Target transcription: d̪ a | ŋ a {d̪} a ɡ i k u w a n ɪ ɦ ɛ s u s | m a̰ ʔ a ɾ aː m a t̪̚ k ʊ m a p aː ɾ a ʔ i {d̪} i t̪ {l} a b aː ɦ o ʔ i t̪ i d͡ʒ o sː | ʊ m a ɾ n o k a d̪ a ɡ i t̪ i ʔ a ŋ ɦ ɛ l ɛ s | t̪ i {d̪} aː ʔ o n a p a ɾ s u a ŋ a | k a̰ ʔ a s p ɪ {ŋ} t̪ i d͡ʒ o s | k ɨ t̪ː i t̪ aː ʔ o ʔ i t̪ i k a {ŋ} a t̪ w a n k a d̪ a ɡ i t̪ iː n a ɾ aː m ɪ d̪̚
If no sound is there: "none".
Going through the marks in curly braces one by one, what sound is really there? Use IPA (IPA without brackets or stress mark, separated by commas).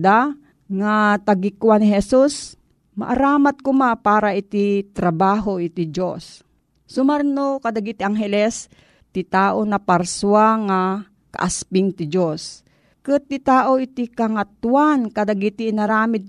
t̪, t̪, ɾ, t̪, ŋ, ŋ